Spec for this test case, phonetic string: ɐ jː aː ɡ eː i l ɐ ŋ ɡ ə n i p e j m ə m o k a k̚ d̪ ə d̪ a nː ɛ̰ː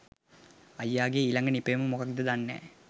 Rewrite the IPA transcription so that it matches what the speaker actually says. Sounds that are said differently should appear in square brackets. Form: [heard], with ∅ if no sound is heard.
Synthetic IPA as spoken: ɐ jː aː ɡ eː i l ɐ ŋ ɡ ə n i p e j m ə m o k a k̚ d̪ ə d̪ a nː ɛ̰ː